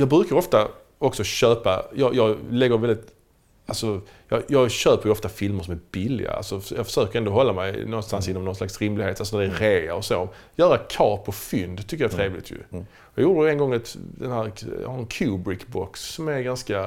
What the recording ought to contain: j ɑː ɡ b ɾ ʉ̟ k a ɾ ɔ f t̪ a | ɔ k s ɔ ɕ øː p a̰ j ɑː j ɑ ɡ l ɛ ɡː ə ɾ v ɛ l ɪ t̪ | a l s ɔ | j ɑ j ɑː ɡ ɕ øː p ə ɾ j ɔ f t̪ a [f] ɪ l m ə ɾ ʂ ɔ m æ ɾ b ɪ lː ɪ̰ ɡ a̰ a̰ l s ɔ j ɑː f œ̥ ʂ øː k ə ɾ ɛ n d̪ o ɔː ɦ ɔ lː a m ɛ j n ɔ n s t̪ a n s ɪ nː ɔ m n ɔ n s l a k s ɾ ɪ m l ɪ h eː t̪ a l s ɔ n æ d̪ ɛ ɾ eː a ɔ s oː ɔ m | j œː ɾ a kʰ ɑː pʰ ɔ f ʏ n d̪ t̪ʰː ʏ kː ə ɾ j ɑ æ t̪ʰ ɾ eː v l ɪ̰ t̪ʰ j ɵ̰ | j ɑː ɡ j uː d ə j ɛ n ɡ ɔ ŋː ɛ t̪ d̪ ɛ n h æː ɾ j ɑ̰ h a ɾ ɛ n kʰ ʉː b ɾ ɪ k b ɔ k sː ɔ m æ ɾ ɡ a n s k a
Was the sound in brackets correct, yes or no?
yes